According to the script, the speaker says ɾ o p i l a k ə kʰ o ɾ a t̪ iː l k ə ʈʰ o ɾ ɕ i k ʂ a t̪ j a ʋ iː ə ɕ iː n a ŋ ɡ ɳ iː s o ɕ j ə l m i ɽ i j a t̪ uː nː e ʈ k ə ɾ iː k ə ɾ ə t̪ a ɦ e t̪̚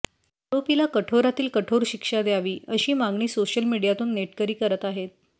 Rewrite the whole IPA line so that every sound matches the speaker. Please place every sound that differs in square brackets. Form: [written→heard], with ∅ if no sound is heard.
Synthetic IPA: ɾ o p i l a k ə [kʰ→ʈʰ] o ɾ a t̪ iː l k ə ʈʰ o ɾ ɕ i k ʂ a [t̪→d̪] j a ʋ iː ə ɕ iː [n→m] a ŋ ɡ ɳ iː s o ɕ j ə l m i ɽ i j a t̪ uː nː e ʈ k ə ɾ iː k ə ɾ ə t̪ a ɦ e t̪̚